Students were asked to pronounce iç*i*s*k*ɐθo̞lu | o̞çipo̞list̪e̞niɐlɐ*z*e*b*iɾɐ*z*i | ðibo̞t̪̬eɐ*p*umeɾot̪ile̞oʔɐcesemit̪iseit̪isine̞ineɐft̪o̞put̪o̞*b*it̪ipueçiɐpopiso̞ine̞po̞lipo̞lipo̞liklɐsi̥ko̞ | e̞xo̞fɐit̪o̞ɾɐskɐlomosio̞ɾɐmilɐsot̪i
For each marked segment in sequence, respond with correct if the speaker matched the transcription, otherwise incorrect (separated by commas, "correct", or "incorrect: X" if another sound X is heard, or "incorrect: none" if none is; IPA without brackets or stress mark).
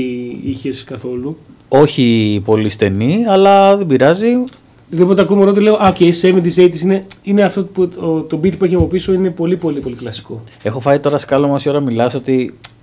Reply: incorrect: e, correct, incorrect: ð, correct, correct, incorrect: k, correct